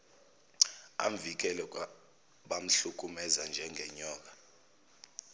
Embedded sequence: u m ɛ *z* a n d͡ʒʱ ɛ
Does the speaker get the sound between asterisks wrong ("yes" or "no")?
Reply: no